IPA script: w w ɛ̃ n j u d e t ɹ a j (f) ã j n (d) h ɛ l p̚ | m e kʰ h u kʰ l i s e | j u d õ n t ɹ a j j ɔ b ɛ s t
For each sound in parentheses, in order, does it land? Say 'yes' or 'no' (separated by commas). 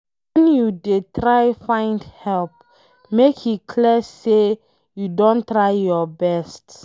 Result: yes, yes